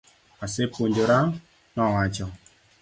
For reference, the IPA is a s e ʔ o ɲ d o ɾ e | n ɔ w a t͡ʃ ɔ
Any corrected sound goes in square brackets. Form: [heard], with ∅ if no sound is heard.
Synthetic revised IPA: a s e [p] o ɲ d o ɾ [a] | n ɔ w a t͡ʃ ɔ